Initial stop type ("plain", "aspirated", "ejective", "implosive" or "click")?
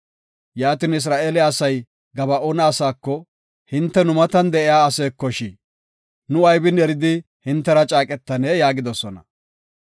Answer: plain